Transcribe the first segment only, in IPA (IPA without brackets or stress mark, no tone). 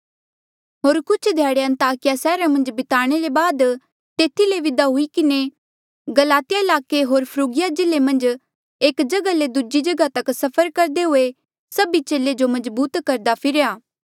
ɦ